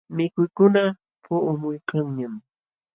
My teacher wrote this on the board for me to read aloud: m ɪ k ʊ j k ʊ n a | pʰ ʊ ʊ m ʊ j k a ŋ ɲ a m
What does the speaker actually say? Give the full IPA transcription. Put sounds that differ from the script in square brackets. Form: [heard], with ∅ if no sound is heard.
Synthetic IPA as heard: m ɪ k ʊ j k ʊ n a | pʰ ʊ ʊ m ʊ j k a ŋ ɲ a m